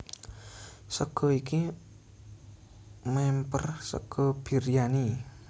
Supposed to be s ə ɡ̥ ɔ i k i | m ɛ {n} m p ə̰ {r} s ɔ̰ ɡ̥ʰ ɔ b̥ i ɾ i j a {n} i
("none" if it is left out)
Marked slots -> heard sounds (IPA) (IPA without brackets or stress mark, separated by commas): none, r, n